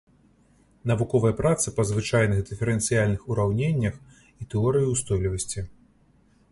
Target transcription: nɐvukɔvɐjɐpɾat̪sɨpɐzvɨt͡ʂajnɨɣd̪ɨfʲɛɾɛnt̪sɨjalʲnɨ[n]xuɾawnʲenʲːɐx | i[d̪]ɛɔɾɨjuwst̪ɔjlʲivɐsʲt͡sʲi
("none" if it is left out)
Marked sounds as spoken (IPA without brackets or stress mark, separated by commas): none, t̪